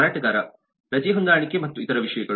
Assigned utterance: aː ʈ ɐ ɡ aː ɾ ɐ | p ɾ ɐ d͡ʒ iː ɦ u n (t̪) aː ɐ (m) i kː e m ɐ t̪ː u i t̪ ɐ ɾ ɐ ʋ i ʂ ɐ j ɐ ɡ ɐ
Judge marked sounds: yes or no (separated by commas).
no, no